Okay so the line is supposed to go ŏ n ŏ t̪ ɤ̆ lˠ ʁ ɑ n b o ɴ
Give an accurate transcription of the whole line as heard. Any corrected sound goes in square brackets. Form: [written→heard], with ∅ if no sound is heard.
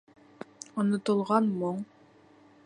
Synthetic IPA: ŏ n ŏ t̪ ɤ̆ lˠ ʁ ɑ n [b→m] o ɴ

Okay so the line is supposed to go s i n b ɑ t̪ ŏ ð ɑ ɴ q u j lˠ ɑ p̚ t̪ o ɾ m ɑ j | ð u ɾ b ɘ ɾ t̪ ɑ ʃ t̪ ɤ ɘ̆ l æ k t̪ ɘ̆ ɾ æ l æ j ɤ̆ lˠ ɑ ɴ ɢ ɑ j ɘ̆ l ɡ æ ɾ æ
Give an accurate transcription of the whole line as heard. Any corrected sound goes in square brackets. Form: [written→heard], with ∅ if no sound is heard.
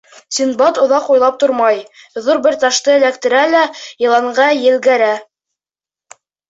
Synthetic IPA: s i n b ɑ t̪ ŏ ð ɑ [ɴ→∅] q u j lˠ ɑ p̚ t̪ o ɾ m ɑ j | ð u ɾ b ɘ ɾ t̪ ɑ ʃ t̪ ɤ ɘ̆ l æ k t̪ ɘ̆ ɾ æ l æ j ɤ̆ lˠ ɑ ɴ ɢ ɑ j ɘ̆ l ɡ æ ɾ æ

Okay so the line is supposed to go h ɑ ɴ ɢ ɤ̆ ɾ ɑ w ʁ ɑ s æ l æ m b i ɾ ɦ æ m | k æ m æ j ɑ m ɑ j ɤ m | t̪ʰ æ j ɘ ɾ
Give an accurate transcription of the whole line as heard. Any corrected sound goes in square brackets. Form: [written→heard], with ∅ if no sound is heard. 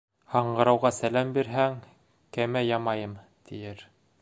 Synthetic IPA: h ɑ ɴ ɢ ɤ̆ ɾ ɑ w ʁ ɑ s æ l æ m b i ɾ ɦ æ [m→ŋ] | k æ m æ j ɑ m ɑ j ɤ m | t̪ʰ [æ→i] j ɘ ɾ

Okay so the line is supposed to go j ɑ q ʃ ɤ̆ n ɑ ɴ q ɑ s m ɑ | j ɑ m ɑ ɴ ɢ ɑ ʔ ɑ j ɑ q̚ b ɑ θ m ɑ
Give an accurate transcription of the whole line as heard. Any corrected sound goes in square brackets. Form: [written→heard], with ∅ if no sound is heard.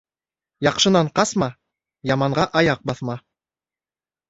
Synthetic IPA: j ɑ q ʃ ɤ̆ n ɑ ɴ q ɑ s m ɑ | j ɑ m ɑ ɴ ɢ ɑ ʔ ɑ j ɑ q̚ b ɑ θ m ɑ

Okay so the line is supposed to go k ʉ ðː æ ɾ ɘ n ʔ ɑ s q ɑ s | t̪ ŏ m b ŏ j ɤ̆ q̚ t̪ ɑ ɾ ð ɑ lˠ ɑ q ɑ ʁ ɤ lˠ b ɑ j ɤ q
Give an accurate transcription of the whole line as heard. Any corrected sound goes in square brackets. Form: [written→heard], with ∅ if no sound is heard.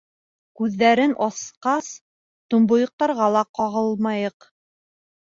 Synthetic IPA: k ʉ ðː æ ɾ ɘ n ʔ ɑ s q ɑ s | t̪ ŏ m b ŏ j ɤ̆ q̚ t̪ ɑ ɾ [ð→ʁ] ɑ lˠ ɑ q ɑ ʁ ɤ lˠ [b→m] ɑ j ɤ q

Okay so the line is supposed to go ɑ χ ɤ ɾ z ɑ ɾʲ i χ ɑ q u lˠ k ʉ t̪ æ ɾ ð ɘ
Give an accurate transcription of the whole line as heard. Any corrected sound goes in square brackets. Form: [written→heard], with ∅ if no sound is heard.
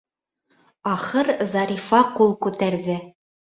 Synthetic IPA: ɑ χ ɤ ɾ z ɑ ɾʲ i [χ→f] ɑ q u lˠ k ʉ t̪ æ ɾ ð ɘ

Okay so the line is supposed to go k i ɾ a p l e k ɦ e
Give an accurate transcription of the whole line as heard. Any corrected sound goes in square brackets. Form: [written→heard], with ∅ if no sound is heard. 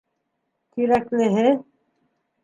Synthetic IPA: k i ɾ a [p→k] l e [k→∅] ɦ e

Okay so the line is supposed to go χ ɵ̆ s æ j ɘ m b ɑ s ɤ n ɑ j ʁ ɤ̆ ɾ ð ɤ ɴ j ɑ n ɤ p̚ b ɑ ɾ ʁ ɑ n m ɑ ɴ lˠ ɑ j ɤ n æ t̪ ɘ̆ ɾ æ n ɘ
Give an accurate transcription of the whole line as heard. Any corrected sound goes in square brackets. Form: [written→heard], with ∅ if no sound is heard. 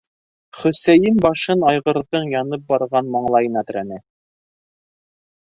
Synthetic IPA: χ ɵ̆ s æ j ɘ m b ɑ [s→ʃ] ɤ n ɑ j ʁ ɤ̆ ɾ ð ɤ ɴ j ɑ n ɤ p̚ b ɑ ɾ ʁ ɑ n m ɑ ɴ lˠ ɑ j ɤ n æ t̪ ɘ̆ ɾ æ n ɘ

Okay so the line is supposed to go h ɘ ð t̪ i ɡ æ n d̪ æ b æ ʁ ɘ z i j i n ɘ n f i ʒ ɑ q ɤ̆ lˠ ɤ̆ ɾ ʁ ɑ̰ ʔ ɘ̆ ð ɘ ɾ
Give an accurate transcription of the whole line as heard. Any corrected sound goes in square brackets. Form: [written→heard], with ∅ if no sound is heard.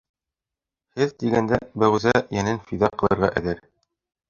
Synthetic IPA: h ɘ ð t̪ i ɡ æ n d̪ æ b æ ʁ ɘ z [i→æ] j [i→æ] n ɘ n f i [ʒ→ð] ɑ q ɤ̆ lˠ ɤ̆ ɾ ʁ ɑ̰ ʔ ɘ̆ ð ɘ ɾ

